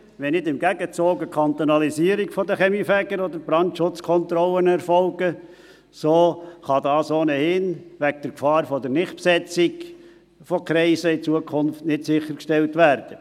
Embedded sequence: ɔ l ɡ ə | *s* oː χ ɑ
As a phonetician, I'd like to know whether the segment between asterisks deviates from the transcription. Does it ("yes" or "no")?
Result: no